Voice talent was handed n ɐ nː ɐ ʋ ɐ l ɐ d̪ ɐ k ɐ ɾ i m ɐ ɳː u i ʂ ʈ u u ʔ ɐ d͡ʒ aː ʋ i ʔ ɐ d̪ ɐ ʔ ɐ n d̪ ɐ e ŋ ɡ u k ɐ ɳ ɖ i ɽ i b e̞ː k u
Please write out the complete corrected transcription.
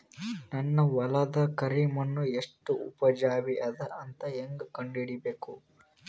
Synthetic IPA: n ɐ nː ɐ ʋ ɐ l ɐ d̪ ɐ k ɐ ɾ i m ɐ nː u e ʂ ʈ u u p ɐ d͡ʒ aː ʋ i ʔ ɐ d̪ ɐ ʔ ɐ n t̪ ɐ e ŋ ɡ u k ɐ ɳ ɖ i ɽ i b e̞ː k u

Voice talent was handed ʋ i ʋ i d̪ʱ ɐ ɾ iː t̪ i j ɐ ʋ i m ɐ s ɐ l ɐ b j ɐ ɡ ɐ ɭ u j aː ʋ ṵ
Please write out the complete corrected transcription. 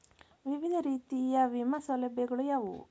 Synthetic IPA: ʋ i ʋ i d̪ʱ ɐ ɾ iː t̪ i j ɐ ʋ i m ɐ s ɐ l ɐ b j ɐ ɡ ɐ ɭ u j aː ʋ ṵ

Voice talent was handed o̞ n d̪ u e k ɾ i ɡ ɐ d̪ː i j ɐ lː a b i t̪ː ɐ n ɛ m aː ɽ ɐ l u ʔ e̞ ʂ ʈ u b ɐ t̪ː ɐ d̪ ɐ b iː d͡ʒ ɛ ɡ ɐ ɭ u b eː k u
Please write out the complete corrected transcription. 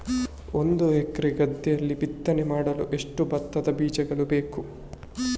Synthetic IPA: o̞ n d̪ u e k ɾ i ɡ ɐ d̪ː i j ɐ lː i b i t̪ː ɐ n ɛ m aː ɽ ɐ l u ʔ e̞ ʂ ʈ u b ɐ t̪ː ɐ d̪ ɐ b iː d͡ʒ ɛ ɡ ɐ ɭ u b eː k u

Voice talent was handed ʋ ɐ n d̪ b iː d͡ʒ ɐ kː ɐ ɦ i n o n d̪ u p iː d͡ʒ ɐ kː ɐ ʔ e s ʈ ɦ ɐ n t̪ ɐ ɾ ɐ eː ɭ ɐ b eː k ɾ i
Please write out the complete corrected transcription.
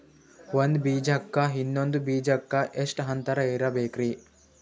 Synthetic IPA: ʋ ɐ n d̪ b iː d͡ʒ ɐ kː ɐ ɦ i nː o n d̪ u b iː d͡ʒ ɐ kː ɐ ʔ e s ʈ ɦ ɐ n t̪ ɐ ɾ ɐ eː ɾ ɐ b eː k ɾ i

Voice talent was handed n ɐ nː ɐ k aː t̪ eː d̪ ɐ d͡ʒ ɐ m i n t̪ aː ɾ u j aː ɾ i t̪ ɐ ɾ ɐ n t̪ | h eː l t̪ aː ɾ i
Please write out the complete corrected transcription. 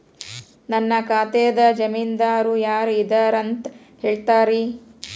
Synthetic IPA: n ɐ nː ɐ k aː t̪ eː d̪ ɐ d͡ʒ ɐ m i n d̪ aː ɾ u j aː ɾ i d̪ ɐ ɾ ɐ n t̪ | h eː ɭ t̪ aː ɾ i

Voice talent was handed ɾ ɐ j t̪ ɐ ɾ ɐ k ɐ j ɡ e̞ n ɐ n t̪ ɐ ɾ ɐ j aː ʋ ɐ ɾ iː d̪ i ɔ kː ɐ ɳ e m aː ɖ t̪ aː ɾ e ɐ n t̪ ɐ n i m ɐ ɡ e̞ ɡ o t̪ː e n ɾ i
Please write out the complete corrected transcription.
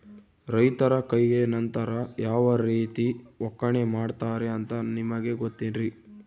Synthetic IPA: ɾ ɐ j t̪ ɐ ɾ ɐ k ɐ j ɡ e̞ n ɐ n t̪ ɐ ɾ ɐ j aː ʋ ɐ ɾ iː t̪ i ɔ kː ɐ ɳ e m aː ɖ t̪ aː ɾ e ɐ n t̪ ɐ n i m ɐ ɡ e̞ ɡ o t̪ː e n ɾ i

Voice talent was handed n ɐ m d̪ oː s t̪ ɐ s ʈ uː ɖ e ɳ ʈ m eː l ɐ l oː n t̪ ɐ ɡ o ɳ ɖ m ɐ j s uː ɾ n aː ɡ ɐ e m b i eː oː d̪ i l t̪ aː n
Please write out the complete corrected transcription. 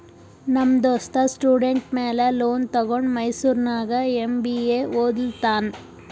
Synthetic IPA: n ɐ m d̪ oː s t̪ ɐ s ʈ uː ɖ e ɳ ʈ m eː l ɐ l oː n t̪ ɐ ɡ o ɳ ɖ m ɐ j s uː ɾ n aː ɡ ɐ e m b i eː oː d̪ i l t̪ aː n

